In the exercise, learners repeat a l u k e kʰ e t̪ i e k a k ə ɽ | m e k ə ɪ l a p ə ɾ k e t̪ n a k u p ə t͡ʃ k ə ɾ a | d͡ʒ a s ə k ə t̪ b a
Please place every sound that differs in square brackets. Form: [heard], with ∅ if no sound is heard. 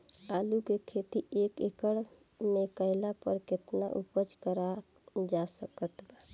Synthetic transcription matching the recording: a l u k e kʰ e t̪ i e k [e] k ə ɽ | m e k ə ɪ l a p ə ɾ k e t̪ n a [ʔ] u p ə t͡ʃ k ə ɾ a | d͡ʒ a s ə k ə t̪ b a